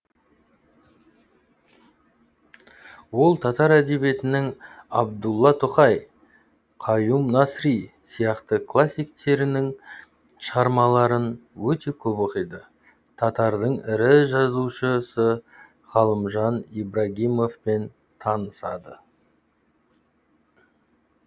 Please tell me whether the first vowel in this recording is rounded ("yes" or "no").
yes